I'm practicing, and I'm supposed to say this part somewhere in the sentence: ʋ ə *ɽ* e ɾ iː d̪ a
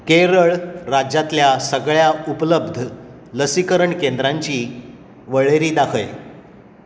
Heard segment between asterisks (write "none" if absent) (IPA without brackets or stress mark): ɭ